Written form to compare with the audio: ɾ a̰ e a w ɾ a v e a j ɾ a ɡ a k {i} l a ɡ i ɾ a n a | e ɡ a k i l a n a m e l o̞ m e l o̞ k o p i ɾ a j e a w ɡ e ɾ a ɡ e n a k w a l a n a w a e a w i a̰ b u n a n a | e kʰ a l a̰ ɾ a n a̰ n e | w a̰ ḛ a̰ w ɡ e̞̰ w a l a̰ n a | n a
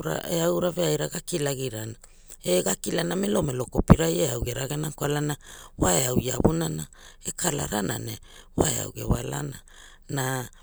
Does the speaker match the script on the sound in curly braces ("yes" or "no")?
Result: yes